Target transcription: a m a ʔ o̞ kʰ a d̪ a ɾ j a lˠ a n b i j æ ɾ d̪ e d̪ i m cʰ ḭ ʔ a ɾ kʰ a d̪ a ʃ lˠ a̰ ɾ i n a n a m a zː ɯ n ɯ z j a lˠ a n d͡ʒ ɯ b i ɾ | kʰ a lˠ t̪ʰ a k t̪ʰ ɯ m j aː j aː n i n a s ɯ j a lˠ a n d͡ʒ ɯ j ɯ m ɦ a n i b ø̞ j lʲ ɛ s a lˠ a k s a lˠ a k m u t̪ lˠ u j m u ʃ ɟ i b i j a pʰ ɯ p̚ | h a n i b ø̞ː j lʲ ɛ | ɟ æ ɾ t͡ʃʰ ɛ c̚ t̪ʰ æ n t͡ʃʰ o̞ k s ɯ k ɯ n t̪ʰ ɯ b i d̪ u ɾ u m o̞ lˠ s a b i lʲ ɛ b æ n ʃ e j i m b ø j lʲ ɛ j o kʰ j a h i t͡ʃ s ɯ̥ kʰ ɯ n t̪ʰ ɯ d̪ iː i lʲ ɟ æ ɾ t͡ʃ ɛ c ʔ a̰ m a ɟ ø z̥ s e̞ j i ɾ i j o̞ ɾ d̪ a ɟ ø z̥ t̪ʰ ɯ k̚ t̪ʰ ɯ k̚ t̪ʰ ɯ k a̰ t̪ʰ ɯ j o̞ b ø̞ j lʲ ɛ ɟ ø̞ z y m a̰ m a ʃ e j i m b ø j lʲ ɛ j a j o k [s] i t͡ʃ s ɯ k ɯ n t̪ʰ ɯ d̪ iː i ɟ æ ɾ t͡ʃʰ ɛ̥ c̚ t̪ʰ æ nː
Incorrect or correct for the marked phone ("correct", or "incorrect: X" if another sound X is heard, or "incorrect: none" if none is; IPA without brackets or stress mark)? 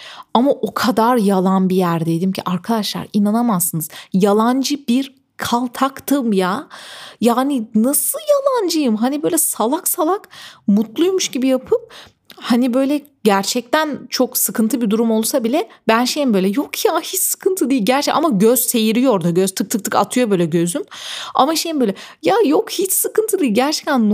incorrect: h